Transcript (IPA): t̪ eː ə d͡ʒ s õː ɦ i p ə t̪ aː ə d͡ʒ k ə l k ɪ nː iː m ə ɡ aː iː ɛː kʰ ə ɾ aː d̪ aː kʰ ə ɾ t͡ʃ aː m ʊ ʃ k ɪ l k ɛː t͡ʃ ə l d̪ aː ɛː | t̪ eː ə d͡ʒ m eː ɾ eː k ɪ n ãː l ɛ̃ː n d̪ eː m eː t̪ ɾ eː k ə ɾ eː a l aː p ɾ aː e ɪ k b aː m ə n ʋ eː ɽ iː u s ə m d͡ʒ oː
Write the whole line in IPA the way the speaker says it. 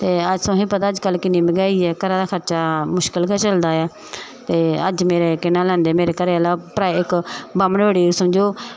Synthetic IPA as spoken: t̪ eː ə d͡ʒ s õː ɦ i p ə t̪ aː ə d͡ʒ k ə l k ɪ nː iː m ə ɡ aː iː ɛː k ə ɾ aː d̪ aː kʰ ə ɾ t͡ʃ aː m ʊ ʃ k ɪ l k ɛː t͡ʃ ə l d̪ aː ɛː | t̪ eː ə d͡ʒ m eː ɾ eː k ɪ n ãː l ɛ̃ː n d̪ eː m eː ɾ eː k ə ɾ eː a l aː p ɾ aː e ɪ k b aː m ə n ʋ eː ɽ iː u s ə m d͡ʒ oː